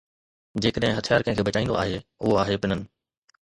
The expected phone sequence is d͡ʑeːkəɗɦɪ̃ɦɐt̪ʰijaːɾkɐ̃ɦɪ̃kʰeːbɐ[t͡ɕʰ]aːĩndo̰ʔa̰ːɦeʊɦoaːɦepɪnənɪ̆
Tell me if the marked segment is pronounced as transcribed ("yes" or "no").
no